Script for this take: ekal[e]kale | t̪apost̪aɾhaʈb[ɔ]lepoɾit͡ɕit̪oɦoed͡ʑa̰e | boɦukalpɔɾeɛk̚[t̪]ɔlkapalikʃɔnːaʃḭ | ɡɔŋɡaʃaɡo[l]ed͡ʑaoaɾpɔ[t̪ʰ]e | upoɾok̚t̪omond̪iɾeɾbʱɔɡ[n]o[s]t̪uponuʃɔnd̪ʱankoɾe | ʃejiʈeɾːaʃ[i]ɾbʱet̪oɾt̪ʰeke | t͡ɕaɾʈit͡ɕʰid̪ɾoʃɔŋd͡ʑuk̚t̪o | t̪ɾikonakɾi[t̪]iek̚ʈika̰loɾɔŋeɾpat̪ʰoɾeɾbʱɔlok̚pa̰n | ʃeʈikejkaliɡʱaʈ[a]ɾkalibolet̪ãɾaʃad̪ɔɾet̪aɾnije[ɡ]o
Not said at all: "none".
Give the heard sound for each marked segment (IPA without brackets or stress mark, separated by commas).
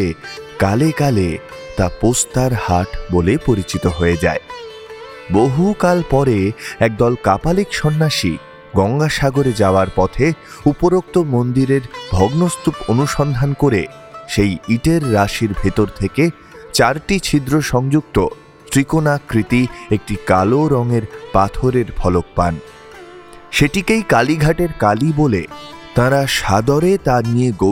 e, o, d̪, ɾ, t̪ʰ, n, s, i, t̪, e, ɡ